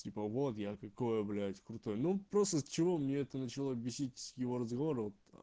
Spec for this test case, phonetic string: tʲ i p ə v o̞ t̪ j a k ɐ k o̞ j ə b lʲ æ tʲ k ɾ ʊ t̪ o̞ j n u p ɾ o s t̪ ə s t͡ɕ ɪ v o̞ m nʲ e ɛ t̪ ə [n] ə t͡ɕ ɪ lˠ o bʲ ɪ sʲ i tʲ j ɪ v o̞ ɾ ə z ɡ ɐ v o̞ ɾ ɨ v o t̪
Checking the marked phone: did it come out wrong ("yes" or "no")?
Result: no